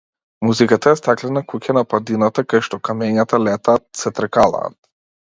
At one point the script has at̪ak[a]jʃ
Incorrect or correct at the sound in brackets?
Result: correct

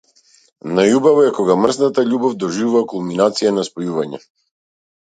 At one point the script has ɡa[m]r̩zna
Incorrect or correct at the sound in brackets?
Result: correct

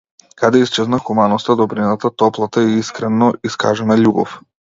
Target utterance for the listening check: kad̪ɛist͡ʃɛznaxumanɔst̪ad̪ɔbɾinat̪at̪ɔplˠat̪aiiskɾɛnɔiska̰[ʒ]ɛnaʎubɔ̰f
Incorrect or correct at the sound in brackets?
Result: correct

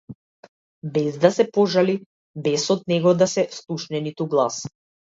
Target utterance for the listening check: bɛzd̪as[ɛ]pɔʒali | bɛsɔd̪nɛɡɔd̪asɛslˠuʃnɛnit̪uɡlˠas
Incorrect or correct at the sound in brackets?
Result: correct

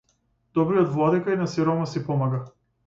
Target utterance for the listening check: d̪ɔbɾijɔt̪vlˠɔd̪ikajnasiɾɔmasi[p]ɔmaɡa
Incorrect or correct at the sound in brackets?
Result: correct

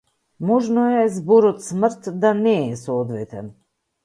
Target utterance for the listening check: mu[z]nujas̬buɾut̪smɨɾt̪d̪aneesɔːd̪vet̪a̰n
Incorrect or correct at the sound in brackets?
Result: incorrect: ʒ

